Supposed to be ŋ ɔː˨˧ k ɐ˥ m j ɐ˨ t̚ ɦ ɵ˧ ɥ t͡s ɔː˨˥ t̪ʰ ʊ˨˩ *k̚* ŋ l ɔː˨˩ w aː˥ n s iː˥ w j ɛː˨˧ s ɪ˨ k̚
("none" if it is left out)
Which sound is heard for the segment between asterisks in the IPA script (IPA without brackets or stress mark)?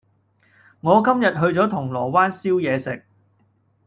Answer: none